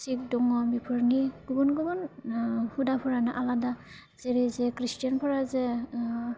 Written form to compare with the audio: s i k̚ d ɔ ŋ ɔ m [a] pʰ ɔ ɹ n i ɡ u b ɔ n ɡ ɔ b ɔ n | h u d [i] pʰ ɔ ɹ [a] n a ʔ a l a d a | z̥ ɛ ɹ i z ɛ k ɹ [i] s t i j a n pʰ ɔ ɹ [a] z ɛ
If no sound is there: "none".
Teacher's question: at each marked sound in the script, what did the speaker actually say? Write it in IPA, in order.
i, a, a, i, a

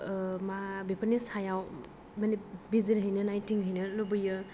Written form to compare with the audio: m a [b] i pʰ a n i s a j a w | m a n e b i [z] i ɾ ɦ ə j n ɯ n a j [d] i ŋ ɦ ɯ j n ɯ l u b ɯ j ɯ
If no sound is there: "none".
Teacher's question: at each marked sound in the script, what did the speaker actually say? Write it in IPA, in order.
b, z, t

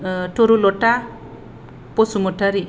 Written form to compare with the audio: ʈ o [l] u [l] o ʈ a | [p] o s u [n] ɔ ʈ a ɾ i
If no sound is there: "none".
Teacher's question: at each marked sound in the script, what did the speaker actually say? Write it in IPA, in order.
ɾ, l, p, m

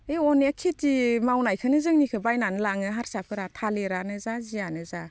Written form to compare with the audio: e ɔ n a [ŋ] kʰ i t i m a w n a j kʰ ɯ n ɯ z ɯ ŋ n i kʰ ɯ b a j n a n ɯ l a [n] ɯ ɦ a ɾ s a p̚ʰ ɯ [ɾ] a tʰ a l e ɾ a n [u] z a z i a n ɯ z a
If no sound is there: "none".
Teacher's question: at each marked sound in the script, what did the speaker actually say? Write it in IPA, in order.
none, ŋ, ɾ, ɯ

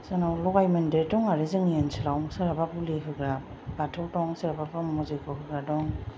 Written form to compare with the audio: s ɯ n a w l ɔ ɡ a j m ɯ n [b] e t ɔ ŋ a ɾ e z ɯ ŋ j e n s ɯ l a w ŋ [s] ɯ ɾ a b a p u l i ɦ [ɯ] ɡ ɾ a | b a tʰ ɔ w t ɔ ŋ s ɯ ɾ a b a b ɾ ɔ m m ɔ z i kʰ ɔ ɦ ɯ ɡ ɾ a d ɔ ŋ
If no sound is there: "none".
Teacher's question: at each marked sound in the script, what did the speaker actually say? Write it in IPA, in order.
d, s, ɯ

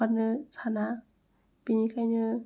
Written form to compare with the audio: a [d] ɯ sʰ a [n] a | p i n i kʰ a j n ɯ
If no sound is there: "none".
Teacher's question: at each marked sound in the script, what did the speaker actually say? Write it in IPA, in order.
n, n

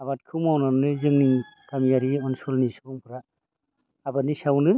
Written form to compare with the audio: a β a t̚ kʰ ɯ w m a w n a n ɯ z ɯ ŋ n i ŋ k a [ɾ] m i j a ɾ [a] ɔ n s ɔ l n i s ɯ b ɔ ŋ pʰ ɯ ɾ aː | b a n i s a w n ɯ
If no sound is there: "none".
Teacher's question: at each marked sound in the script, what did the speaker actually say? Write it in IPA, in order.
none, i

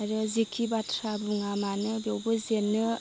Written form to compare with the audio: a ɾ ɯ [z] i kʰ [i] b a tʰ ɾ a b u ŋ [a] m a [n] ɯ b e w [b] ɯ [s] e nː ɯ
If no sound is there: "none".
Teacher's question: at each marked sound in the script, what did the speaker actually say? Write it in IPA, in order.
z, i, a, n, b, z

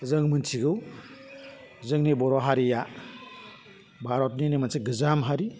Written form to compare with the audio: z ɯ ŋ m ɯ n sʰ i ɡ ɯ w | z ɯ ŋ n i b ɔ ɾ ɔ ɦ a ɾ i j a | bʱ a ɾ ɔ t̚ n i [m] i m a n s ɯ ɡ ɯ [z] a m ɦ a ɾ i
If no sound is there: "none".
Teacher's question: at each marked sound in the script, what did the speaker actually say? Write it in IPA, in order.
n, z

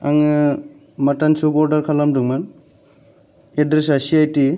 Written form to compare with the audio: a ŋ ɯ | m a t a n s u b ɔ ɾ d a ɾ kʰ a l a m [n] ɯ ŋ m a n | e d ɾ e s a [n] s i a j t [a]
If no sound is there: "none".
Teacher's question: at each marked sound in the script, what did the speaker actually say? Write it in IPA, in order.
d, none, i

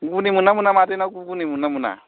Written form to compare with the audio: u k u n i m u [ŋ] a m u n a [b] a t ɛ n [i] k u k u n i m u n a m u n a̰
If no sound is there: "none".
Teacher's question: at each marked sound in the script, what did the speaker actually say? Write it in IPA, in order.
n, m, a

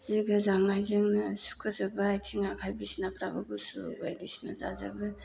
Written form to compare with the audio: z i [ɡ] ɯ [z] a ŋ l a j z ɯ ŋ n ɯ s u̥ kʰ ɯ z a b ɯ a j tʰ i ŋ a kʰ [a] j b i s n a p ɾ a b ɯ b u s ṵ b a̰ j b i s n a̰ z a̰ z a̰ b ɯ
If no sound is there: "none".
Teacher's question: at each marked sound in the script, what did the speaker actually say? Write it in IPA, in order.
ɡ, z, a

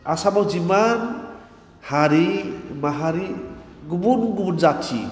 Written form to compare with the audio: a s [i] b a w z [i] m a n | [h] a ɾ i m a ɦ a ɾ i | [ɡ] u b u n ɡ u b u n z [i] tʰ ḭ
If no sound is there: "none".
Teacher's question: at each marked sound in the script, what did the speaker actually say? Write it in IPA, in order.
a, i, h, ɡ, a

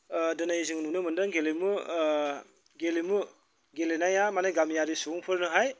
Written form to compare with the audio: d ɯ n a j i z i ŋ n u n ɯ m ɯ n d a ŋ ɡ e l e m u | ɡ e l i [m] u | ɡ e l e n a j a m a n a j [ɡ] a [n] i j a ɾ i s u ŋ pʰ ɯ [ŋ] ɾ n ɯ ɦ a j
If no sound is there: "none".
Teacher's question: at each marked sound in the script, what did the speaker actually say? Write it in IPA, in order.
m, ɡ, m, none

